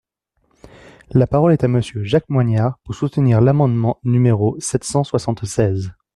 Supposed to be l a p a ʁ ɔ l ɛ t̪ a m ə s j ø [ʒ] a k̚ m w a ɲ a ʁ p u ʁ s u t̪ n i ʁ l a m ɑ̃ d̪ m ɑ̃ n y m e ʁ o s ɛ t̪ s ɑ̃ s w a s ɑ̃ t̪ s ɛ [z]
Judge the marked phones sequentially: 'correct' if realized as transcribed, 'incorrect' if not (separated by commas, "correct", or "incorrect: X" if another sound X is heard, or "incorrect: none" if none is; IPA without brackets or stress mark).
correct, correct